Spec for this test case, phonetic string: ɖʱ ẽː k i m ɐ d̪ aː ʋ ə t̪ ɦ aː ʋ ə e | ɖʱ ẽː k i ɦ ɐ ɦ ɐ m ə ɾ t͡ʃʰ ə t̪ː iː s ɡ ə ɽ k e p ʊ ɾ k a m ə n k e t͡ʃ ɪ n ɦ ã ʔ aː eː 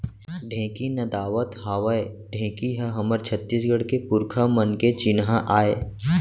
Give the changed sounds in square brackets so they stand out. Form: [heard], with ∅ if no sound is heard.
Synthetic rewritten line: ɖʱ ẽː k i [n] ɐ d̪ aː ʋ ə t̪ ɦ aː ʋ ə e | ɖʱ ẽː k i ɦ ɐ ɦ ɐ m ə ɾ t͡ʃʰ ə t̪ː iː s ɡ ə ɽ k e p ʊ ɾ [kʰ] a m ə n k e t͡ʃ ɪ n ɦ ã ʔ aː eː